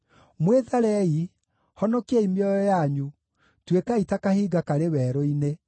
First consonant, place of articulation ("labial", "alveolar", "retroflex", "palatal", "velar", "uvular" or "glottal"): labial